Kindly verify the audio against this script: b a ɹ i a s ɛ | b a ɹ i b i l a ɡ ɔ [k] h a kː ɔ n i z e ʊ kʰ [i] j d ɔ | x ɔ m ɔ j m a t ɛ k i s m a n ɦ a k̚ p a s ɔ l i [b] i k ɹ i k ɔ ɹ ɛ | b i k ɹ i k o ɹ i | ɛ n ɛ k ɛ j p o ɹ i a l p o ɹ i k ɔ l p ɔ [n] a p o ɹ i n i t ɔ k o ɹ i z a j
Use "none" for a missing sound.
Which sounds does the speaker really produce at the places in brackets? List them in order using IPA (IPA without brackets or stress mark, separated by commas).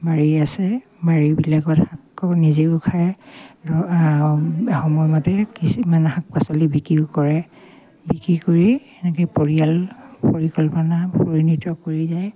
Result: t, a, b, n